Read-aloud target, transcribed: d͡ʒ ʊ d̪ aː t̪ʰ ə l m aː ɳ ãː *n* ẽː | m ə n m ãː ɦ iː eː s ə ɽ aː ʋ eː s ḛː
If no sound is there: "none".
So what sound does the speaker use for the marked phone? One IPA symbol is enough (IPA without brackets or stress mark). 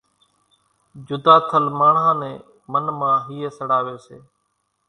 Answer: n